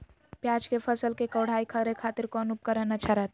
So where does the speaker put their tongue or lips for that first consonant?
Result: lips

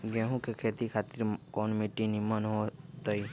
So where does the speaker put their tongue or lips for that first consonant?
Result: velum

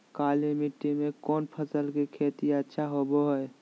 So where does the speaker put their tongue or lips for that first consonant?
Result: velum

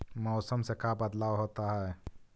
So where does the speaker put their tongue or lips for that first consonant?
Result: lips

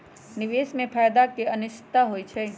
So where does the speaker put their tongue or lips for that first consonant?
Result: tongue tip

